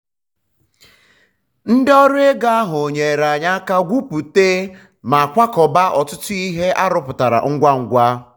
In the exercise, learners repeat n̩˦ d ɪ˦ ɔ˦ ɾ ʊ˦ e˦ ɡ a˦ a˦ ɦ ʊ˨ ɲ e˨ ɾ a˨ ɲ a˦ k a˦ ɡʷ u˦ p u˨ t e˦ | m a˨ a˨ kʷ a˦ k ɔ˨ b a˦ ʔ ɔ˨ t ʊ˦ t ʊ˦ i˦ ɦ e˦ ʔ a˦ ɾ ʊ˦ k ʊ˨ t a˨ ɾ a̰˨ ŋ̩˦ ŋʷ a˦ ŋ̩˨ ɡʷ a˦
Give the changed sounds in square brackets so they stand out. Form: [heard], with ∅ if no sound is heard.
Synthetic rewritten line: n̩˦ d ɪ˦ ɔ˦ ɾ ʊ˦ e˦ ɡ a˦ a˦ ɦ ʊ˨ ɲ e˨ ɾ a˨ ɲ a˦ k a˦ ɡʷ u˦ p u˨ t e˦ | m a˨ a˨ kʷ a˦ k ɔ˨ b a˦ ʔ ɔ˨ t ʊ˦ t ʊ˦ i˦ ɦ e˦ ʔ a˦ ɾ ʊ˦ [p] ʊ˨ t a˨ ɾ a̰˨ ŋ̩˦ [ɡʷ] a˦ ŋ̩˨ ɡʷ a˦

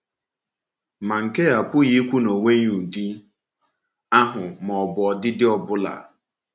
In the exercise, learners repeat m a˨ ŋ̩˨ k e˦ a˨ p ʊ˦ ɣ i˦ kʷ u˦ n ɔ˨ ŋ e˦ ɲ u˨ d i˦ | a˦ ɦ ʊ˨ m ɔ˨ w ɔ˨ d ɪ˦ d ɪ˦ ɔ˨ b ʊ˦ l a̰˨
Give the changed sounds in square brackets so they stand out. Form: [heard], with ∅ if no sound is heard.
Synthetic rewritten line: m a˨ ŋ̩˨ k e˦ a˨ p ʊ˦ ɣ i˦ kʷ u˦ n [o˨] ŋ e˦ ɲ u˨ d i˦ | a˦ ɦ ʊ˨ m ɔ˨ [b] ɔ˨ d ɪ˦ d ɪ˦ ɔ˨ b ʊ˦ l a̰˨

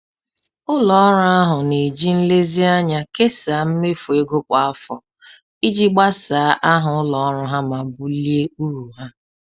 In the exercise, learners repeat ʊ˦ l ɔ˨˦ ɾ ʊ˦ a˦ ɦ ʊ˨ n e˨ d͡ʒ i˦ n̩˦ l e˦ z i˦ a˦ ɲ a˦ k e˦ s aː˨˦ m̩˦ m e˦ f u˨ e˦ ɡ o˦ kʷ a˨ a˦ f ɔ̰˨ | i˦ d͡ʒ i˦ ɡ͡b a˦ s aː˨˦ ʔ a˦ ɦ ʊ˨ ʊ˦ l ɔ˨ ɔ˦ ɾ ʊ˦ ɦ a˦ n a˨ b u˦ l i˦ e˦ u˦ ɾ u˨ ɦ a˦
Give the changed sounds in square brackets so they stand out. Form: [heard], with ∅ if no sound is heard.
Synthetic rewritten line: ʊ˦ l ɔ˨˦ ɾ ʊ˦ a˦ ɦ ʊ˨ n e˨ d͡ʒ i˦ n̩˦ l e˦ z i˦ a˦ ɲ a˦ k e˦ s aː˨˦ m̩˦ m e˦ f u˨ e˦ ɡ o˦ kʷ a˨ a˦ f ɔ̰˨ | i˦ d͡ʒ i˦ ɡ͡b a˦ s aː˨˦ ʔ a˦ ɦ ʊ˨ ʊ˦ l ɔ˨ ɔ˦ ɾ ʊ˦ ɦ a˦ [m] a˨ b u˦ l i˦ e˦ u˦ ɾ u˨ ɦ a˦

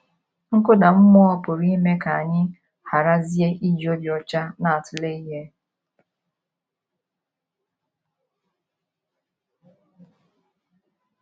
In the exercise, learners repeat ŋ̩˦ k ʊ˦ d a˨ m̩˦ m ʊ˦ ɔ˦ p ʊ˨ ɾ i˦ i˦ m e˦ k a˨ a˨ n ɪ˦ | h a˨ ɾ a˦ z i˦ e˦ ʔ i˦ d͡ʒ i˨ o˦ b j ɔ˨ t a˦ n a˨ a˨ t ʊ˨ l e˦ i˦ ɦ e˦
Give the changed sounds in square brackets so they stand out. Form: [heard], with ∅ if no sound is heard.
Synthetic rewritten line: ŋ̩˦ k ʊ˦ d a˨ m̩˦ m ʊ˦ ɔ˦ p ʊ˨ ɾ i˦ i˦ m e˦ k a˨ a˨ [ɲ] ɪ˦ | h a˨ ɾ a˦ z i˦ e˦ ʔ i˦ d͡ʒ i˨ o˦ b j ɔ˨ [t͡ʃ] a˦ n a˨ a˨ t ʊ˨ l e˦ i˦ ɦ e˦

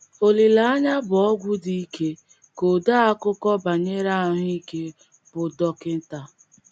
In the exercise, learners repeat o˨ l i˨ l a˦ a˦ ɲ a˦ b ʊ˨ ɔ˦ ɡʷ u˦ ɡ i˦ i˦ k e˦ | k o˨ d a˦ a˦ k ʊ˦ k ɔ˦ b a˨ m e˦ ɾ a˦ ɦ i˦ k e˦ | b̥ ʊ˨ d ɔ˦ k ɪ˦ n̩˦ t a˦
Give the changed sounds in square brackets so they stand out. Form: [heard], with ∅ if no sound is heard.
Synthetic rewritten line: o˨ l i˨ l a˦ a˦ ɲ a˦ b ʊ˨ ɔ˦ ɡʷ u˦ [d] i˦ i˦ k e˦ | k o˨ d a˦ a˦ k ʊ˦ k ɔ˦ b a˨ [ɲ] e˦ ɾ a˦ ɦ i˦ k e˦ | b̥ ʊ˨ d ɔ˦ k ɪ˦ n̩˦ t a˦

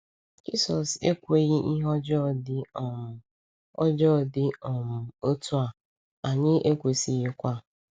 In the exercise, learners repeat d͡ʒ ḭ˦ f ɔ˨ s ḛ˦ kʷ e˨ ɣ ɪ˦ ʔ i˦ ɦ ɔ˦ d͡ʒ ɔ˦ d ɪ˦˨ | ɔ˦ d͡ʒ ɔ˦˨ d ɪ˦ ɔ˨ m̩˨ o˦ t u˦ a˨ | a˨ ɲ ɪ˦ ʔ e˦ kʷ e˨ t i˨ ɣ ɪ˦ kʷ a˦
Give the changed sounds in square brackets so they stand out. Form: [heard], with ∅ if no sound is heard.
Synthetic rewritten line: d͡ʒ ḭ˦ [s] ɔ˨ s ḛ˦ kʷ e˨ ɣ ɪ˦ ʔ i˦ ɦ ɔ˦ d͡ʒ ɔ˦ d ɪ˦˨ | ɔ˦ d͡ʒ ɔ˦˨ d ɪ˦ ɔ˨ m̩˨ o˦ t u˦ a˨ | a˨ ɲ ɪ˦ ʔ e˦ kʷ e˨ [s] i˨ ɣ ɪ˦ kʷ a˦

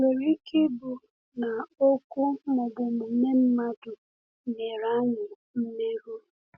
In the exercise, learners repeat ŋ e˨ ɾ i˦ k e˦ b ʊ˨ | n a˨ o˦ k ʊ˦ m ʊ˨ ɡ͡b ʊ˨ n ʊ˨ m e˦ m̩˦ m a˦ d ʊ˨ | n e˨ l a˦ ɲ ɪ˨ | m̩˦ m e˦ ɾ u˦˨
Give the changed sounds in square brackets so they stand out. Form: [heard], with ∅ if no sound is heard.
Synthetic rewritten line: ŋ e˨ ɾ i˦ k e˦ b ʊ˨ | n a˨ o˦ k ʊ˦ m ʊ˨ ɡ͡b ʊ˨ [m] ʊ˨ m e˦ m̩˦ m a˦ d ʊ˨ | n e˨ [ɾ] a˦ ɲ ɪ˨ | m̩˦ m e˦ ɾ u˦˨

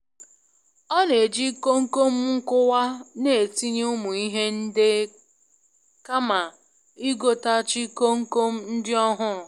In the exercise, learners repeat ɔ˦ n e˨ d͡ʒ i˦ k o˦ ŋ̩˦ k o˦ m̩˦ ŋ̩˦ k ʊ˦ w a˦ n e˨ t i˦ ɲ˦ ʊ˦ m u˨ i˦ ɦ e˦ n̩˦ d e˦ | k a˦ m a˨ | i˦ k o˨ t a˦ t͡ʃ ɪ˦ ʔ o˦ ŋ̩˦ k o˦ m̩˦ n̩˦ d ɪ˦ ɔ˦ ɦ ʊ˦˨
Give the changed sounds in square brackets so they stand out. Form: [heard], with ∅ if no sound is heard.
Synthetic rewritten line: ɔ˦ n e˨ d͡ʒ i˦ k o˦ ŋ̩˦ k o˦ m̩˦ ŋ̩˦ k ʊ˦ w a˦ n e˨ t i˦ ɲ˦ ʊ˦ m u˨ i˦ ɦ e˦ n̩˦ d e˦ | k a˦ m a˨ | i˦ [ɡ] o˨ t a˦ t͡ʃ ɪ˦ [k] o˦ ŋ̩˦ k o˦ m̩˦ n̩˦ d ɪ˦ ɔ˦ ɦ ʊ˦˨

